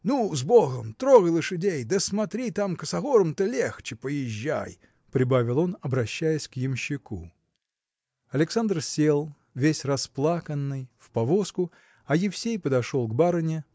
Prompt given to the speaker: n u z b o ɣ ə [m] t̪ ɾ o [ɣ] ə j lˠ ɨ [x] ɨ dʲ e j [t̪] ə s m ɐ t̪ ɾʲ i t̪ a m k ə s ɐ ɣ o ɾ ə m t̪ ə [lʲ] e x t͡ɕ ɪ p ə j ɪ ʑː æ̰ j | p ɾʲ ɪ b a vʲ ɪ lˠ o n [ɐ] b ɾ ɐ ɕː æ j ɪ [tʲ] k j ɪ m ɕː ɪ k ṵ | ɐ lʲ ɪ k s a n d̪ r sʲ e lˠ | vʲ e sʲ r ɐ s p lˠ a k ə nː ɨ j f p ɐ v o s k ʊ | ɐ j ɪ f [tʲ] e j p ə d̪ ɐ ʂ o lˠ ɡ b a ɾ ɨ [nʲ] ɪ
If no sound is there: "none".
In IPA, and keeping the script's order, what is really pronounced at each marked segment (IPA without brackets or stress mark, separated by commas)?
m, ɣ, ʂ, d̪, lʲ, ɐ, sʲ, sʲ, nʲ